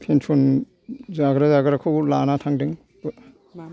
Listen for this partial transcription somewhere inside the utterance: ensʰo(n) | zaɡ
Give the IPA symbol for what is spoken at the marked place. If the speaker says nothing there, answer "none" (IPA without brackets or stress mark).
n